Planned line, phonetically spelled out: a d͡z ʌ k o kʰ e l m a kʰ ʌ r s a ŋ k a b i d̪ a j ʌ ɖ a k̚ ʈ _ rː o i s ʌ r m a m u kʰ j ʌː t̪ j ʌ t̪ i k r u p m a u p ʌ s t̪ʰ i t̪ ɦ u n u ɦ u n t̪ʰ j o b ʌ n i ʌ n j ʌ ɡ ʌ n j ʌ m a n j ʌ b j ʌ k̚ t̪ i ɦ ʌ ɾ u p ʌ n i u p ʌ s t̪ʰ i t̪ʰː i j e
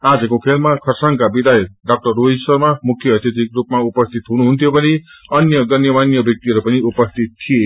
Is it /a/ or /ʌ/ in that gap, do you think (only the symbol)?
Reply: ʌ